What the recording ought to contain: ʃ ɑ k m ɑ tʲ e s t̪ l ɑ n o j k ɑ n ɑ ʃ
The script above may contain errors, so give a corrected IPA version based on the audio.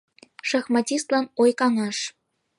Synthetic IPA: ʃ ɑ x m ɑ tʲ i s t̪ l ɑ n o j k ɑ ŋ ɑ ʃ